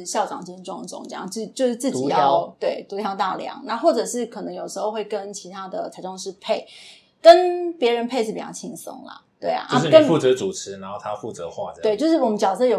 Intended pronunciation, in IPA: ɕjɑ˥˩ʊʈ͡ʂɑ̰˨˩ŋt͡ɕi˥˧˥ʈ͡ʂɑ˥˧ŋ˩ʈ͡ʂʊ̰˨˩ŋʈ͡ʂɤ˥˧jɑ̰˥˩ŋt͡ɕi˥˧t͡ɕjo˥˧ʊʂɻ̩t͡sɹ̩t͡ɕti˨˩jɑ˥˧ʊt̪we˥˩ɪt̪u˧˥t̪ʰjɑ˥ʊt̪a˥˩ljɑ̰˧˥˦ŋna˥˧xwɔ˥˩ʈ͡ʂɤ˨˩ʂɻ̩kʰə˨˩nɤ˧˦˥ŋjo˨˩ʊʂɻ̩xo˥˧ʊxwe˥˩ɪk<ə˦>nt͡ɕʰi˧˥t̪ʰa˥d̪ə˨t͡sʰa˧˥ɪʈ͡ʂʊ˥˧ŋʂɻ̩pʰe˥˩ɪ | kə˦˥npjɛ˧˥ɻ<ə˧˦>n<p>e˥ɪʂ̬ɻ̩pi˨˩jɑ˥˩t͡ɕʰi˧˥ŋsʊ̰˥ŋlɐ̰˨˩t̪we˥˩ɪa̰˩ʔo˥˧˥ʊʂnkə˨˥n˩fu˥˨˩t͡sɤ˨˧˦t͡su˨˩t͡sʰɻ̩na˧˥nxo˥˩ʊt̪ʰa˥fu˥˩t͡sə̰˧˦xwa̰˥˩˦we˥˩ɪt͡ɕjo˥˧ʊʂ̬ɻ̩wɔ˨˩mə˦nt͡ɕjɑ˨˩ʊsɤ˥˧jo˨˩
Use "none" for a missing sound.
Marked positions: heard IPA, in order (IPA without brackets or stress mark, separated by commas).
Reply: ə˦, ə˧˦, pʰ